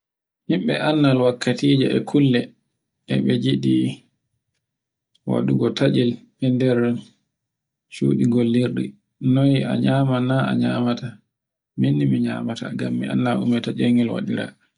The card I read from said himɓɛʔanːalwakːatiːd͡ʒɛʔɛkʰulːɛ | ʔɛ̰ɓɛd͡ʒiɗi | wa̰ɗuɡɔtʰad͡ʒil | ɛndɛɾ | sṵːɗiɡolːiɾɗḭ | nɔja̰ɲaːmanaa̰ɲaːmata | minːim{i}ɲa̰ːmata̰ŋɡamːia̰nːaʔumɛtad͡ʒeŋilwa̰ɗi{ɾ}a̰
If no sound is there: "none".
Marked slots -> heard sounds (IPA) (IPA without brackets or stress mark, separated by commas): i, ɾ